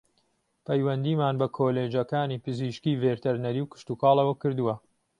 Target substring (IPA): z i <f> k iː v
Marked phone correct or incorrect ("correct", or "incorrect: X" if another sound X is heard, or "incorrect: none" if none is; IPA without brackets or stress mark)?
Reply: incorrect: ʃ